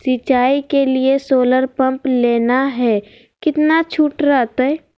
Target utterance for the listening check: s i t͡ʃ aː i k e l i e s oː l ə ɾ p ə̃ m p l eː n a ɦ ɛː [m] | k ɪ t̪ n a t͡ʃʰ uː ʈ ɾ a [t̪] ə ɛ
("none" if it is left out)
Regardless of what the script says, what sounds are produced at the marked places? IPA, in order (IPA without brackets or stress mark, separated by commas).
none, t̪